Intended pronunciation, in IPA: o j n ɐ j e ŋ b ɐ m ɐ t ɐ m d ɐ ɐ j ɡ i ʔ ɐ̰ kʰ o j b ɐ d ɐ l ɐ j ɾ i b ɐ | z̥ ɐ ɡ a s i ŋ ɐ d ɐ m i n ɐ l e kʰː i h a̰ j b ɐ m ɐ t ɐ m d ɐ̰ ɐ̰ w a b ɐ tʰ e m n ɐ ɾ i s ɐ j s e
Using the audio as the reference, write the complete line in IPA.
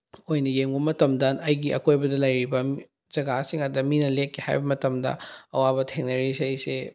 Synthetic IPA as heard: o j n ɐ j e ŋ b ɐ m ɐ t ɐ m d ɐ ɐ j ɡ i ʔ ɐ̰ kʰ o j b ɐ d ɐ l ɐ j ɾ i b ɐ | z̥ ɐ ɡ a s i ŋ ɐ d ɐ m i n ɐ l e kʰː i h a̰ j b ɐ m ɐ t ɐ m d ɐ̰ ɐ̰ w a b ɐ tʰ e ŋ n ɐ ɾ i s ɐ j s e

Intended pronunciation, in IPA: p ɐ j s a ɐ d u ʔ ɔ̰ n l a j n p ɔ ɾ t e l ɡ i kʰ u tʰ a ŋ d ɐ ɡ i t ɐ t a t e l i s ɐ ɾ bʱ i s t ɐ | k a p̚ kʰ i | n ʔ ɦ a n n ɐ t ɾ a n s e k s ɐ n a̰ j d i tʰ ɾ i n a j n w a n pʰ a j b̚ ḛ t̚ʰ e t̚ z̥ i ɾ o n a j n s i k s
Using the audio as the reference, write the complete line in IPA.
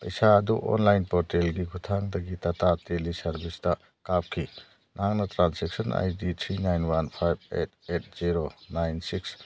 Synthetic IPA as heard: p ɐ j s a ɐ d u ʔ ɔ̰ n l a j n p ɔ ɾ t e l ɡ i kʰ u tʰ a ŋ d ɐ ɡ i t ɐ t a t e l i s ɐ ɾ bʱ i s t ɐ | k a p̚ kʰ i | n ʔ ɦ a ŋ n ɐ t ɾ a n s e k s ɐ n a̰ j d i tʰ ɾ i n a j n w a n pʰ a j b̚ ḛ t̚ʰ e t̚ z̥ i ɾ o n a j n s i k s

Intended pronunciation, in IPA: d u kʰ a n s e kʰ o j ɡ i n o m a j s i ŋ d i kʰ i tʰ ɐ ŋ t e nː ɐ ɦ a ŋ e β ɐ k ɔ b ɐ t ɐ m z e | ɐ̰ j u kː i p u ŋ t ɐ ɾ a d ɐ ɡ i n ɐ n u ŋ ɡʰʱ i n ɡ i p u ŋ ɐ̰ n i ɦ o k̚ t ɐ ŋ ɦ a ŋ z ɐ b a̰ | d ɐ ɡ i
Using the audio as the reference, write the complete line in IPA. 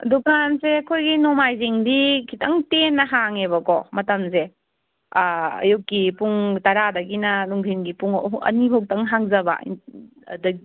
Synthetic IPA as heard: d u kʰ a n s e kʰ o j ɡ i n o m a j z i ŋ d i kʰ i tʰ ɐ ŋ t e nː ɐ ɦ a ŋ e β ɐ k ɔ m ɐ t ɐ m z e | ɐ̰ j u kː i p u ŋ t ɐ ɾ a d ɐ ɡ i n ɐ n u ŋ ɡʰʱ i n ɡ i p u ŋ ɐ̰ n i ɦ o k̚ t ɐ ŋ ɦ a ŋ z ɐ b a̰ | d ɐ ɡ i

